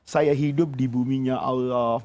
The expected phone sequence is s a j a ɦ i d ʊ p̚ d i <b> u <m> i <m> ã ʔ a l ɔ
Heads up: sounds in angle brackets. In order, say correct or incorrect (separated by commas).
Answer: correct, correct, incorrect